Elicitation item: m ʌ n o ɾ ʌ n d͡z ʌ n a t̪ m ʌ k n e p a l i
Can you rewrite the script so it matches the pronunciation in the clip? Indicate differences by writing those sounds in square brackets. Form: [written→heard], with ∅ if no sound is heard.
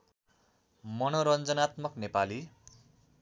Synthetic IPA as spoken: m ʌ n o ɾ ʌ n d͡z ʌ n a t̪ m ʌ k n e p a l i